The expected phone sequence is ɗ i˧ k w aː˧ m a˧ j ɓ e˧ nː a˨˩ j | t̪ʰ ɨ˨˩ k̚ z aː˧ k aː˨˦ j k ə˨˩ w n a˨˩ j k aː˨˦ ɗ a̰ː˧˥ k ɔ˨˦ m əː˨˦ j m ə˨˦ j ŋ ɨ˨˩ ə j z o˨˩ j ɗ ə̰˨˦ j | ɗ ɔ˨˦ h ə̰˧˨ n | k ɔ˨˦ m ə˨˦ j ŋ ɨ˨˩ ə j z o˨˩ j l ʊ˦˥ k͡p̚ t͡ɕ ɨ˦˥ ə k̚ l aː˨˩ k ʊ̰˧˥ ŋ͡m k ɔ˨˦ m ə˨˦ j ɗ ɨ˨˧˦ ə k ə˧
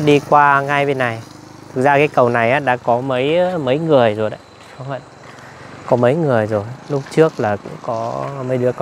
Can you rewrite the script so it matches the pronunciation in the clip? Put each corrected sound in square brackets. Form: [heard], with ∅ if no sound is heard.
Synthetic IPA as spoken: ɗ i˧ k w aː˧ [ŋ] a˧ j ɓ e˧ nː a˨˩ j | t̪ʰ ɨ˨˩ k̚ z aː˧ k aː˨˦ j k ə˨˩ w n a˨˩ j [ʔ] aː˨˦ ɗ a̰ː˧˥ k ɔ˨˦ m [ə˨˦] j m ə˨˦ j ŋ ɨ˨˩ ə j z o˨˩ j ɗ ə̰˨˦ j | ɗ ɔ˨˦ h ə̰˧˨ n | k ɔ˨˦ m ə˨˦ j ŋ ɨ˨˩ ə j z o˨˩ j l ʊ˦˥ k͡p̚ t͡ɕ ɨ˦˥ ə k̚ l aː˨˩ k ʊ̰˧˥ ŋ͡m k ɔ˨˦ m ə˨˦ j ɗ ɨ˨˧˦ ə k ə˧